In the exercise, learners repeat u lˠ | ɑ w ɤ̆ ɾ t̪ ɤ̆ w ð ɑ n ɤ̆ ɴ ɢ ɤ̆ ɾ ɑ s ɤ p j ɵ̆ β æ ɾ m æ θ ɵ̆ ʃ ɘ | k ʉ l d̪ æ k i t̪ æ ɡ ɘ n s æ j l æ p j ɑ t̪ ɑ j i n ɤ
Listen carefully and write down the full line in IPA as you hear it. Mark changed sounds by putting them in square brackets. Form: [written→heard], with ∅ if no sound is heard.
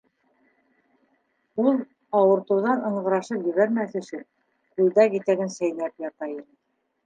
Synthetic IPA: u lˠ | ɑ w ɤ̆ ɾ t̪ ɤ̆ w ð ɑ n ɤ̆ ɴ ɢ ɤ̆ ɾ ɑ [s→ʃ] ɤ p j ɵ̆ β æ ɾ m æ θ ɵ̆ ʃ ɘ | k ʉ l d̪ æ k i t̪ æ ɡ ɘ n s æ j l æ p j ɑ t̪ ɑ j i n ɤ